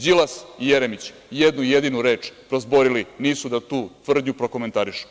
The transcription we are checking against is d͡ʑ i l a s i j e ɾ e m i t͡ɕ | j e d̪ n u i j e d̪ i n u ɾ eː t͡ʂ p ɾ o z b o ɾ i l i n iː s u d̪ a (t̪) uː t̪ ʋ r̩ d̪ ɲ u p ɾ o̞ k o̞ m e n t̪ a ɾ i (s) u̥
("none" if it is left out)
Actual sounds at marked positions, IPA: t̪, ʃ

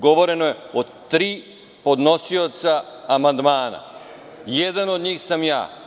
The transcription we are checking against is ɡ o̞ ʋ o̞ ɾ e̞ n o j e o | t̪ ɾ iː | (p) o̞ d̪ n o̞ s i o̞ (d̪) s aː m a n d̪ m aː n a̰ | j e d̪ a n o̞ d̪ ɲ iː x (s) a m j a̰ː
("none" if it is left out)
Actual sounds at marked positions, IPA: p, t̪, s

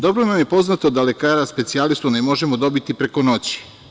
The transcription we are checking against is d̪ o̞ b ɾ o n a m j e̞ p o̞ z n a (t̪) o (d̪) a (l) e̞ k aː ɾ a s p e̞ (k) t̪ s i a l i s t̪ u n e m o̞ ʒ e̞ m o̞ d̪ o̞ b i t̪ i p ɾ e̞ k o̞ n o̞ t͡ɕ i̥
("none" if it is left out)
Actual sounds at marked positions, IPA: t̪, d̪, l, none

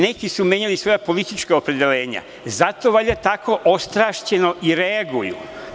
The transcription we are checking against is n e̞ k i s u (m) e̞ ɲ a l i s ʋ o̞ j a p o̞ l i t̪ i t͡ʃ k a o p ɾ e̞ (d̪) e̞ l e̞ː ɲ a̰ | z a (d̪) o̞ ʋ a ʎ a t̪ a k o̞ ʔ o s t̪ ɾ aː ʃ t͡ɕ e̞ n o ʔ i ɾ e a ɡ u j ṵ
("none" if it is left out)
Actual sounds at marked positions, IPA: m, d̪, t̪

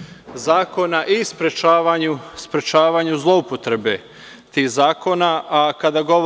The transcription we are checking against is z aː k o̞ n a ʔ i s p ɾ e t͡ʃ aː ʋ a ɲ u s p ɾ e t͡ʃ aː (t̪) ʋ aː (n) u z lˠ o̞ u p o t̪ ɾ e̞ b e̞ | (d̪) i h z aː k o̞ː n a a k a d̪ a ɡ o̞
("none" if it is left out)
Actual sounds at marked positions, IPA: none, ɲ, t̪

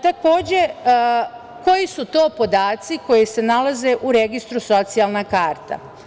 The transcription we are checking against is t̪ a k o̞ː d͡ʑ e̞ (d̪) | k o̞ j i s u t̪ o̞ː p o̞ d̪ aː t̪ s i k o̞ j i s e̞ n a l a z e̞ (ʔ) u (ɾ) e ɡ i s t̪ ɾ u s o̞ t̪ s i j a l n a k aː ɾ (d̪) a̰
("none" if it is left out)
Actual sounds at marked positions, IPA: none, ʔ, ɾ, t̪

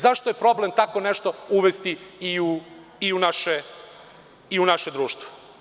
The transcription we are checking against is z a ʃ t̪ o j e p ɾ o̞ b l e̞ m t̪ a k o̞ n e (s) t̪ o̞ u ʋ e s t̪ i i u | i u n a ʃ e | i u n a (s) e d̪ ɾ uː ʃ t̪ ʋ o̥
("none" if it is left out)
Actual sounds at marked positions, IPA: ʃ, ʃ

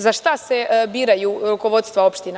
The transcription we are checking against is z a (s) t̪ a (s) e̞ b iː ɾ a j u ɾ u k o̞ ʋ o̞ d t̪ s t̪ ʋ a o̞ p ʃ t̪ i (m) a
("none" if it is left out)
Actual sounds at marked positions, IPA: ʃ, s, n

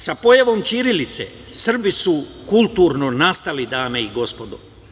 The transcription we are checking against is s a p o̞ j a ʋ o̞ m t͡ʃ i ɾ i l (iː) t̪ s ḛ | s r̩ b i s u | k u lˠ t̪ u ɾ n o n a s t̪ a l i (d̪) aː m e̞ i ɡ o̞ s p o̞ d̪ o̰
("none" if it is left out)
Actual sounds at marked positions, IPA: i, d̪

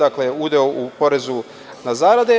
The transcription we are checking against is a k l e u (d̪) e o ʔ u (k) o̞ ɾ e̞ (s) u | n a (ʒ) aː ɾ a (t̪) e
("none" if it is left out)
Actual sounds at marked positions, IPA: d̪, p, z, z, d̪

